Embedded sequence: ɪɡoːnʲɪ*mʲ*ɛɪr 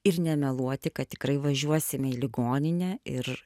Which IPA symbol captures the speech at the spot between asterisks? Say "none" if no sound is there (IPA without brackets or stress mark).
nʲ